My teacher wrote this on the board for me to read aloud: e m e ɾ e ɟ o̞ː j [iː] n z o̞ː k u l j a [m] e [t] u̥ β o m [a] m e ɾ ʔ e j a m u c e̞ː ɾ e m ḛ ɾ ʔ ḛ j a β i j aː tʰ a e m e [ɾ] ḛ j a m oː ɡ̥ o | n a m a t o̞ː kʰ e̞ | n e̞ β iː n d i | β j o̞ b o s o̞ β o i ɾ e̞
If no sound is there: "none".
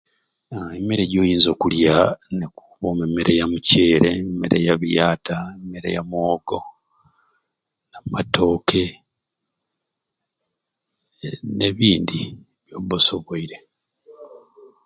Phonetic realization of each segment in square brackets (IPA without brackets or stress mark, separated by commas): iː, n, k, e, ɾ